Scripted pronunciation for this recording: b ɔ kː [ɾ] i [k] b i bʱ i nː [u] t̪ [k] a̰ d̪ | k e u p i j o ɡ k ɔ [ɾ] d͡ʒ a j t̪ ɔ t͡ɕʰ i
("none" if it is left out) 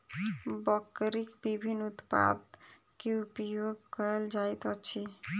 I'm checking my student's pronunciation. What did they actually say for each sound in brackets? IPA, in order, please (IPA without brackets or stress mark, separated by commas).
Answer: ɾ, k, u, p, l